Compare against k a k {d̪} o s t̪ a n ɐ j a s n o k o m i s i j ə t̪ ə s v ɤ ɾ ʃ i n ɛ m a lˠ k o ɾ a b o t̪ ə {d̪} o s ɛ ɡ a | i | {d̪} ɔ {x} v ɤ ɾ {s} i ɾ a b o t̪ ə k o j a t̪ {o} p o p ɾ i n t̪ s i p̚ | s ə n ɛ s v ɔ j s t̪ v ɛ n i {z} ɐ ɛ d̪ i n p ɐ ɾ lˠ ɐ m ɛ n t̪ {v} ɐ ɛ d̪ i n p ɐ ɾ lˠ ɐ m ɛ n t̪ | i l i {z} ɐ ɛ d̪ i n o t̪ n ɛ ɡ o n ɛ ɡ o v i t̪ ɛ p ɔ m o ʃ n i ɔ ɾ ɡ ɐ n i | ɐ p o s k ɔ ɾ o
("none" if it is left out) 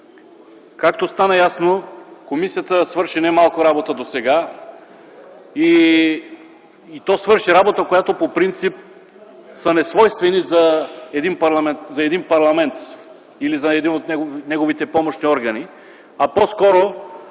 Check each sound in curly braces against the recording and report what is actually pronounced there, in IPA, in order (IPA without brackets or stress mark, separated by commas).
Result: t̪, d̪, t̪, s, ʃ, o, z, z, z